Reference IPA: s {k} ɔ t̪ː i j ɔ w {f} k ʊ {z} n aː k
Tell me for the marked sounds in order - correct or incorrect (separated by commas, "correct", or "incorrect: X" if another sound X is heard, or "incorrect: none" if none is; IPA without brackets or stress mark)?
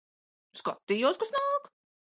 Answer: correct, incorrect: s, incorrect: s